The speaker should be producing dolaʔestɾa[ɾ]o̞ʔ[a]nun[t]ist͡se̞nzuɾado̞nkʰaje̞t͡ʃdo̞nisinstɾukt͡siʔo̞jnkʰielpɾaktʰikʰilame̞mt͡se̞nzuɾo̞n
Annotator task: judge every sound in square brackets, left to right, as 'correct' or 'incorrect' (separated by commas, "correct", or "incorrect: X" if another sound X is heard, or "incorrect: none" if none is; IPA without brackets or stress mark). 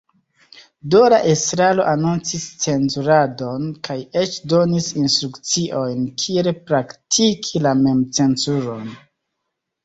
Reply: incorrect: l, correct, incorrect: t͡s